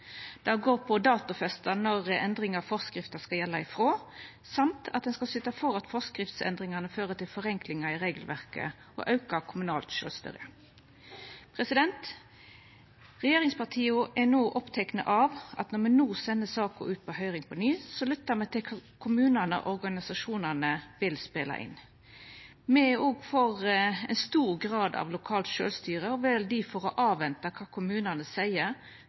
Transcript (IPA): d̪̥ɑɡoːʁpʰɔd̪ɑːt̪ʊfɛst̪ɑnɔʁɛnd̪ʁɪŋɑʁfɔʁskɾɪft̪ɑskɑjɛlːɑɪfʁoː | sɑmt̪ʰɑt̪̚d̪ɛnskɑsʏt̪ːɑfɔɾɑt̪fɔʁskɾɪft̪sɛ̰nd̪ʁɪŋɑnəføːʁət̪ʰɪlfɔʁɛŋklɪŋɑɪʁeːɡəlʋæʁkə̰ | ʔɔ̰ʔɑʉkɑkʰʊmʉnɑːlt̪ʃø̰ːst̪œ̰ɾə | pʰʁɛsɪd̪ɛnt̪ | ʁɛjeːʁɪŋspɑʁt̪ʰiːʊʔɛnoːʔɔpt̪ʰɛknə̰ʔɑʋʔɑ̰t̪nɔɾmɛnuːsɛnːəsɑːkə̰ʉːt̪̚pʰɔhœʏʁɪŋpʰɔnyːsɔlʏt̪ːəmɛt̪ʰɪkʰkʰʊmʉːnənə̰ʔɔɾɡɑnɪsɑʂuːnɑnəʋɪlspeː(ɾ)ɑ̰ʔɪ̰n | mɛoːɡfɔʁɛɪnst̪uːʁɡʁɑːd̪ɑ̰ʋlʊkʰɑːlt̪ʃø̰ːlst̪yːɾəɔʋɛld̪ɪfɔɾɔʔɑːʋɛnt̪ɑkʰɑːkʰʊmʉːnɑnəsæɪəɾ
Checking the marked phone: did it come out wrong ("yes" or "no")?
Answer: yes